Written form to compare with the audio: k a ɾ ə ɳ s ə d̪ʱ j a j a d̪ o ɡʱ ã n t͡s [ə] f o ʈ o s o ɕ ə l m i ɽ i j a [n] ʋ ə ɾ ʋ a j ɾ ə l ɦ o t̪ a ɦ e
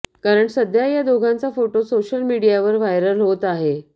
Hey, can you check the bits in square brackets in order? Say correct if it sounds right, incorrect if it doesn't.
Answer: incorrect: a, incorrect: none

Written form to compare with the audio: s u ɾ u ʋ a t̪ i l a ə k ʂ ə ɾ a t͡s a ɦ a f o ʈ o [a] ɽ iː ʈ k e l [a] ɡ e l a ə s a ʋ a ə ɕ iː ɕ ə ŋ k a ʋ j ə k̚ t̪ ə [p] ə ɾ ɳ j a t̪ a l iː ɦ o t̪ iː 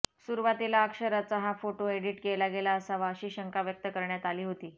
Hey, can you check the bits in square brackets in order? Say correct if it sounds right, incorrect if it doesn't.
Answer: incorrect: e, correct, incorrect: k

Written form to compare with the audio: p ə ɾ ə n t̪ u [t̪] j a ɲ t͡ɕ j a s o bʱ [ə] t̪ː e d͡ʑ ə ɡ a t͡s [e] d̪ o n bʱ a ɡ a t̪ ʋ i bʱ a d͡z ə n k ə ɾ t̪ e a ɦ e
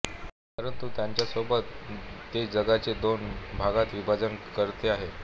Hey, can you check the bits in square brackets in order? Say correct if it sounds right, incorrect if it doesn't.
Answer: correct, correct, correct

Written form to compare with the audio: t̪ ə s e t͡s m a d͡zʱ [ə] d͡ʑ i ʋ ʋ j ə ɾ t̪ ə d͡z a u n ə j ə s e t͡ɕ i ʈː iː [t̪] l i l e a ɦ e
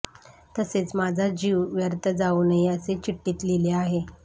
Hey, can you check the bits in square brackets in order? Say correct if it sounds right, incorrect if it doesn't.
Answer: incorrect: a, correct

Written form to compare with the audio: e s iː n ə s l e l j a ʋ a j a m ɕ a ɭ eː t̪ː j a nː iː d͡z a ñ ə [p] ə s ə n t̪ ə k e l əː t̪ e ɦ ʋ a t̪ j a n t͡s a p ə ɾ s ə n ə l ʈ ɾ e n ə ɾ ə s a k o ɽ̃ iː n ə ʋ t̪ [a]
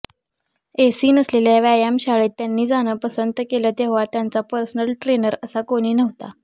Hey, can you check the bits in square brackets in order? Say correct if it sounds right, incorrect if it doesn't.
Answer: correct, correct

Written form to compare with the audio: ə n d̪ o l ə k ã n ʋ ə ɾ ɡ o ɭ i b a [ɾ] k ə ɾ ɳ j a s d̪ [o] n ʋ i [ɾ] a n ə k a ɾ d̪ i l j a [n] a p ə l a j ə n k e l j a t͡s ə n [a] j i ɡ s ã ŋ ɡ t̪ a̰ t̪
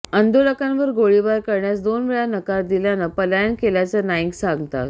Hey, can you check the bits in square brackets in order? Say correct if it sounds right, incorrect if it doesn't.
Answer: correct, correct, incorrect: ɭ, correct, correct

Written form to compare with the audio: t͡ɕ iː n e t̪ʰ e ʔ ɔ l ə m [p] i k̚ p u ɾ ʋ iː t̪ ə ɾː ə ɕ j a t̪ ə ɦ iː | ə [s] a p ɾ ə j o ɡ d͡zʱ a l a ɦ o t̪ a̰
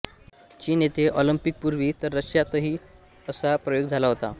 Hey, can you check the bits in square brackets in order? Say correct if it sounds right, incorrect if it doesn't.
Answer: correct, correct

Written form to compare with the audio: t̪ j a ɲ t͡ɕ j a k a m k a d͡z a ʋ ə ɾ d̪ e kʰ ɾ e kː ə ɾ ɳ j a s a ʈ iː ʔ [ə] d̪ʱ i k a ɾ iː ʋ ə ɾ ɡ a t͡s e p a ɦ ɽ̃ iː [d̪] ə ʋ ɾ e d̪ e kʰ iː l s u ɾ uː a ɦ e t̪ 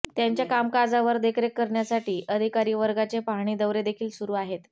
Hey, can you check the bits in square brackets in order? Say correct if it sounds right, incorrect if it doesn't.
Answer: correct, correct

